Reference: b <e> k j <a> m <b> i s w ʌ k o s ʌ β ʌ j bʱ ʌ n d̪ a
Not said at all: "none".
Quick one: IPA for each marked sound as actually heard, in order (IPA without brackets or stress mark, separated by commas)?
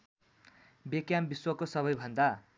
e, a, b